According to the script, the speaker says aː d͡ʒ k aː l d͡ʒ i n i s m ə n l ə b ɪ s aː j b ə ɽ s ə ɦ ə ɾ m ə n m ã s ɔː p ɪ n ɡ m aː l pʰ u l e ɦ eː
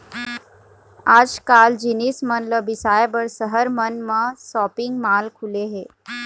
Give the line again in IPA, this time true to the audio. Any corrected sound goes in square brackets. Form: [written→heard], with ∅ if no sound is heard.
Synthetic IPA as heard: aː d͡ʒ k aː l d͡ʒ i n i s m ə n l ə b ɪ s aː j b ə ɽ s ə ɦ ə ɾ m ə n m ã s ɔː p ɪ [n→ŋ] ɡ m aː l [pʰ→kʰ] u l e ɦ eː

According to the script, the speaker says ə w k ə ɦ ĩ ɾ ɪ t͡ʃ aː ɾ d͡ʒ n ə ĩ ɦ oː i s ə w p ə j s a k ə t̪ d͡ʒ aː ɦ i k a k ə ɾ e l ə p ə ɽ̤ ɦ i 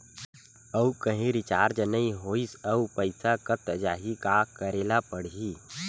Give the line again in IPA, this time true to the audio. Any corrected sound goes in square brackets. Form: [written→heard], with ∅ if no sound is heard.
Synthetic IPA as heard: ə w k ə ɦ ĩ ɾ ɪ t͡ʃ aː ɾ d͡ʒ n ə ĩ ɦ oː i s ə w p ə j s a k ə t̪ d͡ʒ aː ɦ i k a k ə ɾ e l [ə→a] p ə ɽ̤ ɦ i

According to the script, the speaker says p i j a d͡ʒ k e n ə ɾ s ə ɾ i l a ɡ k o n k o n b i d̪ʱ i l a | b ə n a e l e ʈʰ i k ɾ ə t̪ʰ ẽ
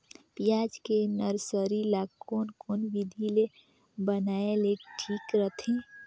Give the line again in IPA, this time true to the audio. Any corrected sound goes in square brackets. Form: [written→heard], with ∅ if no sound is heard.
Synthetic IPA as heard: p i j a d͡ʒ k e n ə ɾ s ə ɾ i l a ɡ k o n k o n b i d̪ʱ i l [a→e] | b ə n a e l e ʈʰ i k ɾ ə t̪ʰ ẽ

